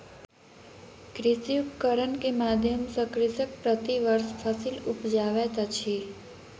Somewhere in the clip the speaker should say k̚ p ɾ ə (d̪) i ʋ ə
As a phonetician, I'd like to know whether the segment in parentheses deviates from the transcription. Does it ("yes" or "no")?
yes